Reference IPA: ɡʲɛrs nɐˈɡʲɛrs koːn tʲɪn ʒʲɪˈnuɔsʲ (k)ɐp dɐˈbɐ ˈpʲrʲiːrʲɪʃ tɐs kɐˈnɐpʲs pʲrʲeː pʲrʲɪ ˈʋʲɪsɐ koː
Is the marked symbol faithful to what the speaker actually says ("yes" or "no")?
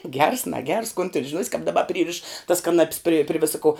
yes